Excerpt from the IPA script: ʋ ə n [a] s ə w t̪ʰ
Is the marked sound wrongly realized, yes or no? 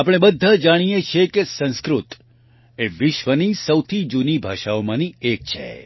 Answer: yes